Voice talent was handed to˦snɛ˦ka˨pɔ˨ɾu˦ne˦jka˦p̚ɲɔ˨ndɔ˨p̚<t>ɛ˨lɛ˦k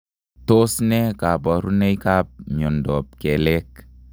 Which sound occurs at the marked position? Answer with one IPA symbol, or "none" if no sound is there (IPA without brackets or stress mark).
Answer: k